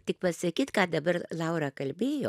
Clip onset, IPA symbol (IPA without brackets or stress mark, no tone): t̪ʲ